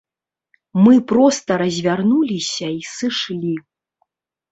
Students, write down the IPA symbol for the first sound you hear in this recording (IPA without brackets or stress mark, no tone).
m